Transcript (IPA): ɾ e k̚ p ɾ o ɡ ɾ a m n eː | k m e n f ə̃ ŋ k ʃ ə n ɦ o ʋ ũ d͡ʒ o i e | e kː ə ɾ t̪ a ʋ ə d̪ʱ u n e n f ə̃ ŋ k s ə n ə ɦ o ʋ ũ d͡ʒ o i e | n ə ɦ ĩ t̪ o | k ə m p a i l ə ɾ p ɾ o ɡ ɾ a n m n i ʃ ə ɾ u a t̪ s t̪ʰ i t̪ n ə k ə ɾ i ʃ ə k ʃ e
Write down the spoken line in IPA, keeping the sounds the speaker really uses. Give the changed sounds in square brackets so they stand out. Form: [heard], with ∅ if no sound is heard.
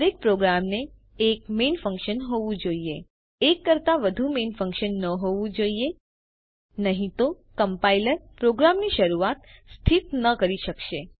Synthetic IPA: ɾ e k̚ p ɾ o ɡ ɾ a m n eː | k m e n f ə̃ ŋ k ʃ ə n ɦ o ʋ ũ d͡ʒ o i e | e kː ə ɾ t̪ a ʋ ə d̪ʱ u [m] e n f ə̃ ŋ k [ʃ] ə [nː] ə ɦ o ʋ ũ d͡ʒ o i e | n ə ɦ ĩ t̪ o | k ə m p a i l ə ɾ p ɾ o ɡ ɾ a [∅] m n i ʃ ə ɾ u a t̪ s t̪ʰ i t̪ n ə k ə ɾ i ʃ ə k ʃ e

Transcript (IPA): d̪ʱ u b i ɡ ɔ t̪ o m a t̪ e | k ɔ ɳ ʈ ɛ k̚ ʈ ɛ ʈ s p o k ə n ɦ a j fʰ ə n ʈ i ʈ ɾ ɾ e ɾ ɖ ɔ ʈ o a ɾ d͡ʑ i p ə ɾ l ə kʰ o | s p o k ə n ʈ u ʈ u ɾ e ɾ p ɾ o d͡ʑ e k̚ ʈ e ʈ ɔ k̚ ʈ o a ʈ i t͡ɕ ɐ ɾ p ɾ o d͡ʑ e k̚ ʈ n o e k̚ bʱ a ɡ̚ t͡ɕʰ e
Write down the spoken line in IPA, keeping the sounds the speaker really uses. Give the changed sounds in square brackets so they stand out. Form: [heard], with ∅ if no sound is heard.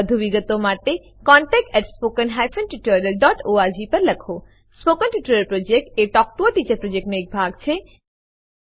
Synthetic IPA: d̪ʱ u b i ɡ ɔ t̪ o m a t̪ e | k ɔ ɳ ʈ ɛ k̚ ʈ ɛ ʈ s p o k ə n ɦ a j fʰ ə n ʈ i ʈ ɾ ɾ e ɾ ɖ ɔ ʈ o a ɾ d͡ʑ i p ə ɾ l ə kʰ o | s p o k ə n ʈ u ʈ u ɾ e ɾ p ɾ o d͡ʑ e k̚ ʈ e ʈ ɔ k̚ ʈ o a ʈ i t͡ɕ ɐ ɾ p ɾ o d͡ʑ e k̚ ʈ n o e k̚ bʱ a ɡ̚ t͡ɕʰ e

